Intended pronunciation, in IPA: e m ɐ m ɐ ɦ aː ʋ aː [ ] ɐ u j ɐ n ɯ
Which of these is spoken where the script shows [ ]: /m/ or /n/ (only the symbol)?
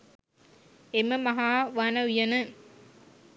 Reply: n